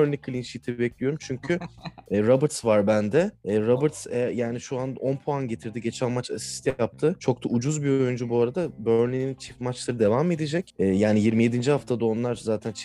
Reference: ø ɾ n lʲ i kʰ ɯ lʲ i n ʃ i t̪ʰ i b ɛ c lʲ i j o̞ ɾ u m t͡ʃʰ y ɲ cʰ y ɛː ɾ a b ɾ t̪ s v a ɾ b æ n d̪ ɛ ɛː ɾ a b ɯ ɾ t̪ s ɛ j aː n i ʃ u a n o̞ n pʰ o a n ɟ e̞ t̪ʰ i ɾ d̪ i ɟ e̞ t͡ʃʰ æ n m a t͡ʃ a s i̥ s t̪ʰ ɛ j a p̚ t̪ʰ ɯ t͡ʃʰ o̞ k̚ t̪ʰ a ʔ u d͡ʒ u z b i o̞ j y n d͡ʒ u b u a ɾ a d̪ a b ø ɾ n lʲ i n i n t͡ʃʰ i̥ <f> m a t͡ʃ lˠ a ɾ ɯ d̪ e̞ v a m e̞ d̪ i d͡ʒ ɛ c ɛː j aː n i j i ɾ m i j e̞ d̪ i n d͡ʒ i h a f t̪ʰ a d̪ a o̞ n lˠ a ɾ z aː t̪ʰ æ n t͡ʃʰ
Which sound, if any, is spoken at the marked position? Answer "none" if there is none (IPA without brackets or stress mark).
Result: f